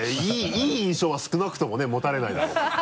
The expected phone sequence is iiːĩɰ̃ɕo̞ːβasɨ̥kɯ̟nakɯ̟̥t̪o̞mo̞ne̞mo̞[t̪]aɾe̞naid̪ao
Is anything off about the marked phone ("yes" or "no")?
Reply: no